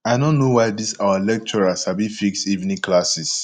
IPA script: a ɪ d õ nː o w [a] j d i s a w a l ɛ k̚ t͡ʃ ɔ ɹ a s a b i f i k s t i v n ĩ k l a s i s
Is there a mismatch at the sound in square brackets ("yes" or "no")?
no